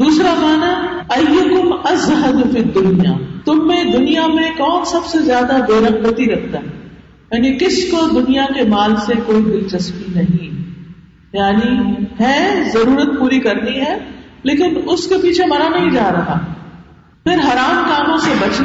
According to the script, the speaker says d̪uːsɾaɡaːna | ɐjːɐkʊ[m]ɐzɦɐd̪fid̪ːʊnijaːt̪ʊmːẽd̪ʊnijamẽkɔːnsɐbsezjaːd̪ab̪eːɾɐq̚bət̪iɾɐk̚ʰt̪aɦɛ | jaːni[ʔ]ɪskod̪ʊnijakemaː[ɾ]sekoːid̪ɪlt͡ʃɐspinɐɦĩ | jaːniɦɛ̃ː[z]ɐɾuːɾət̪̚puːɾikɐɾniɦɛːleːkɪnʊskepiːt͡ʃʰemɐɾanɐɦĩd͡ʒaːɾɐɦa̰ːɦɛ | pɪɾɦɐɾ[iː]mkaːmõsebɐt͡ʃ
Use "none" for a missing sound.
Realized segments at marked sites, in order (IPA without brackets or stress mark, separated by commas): m, k, l, z, aː